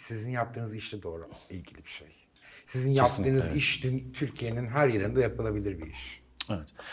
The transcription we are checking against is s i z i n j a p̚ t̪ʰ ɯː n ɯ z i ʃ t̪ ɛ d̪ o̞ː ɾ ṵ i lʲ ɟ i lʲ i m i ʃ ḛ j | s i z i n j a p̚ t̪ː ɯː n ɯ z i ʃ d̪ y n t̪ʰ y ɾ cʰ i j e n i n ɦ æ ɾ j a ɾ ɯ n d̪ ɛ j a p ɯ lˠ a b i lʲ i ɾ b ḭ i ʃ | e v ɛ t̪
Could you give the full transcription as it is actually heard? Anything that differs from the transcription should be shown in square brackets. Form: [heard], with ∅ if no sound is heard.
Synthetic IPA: s i z i n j a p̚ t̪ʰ ɯː n ɯ z i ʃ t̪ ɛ d̪ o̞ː ɾ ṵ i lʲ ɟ i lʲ i [b] i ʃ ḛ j | s i z i n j a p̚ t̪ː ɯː n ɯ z i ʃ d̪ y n t̪ʰ y ɾ cʰ i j e n i n ɦ æ ɾ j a ɾ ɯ n d̪ [a] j a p ɯ lˠ a b i lʲ i ɾ b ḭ i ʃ | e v ɛ t̪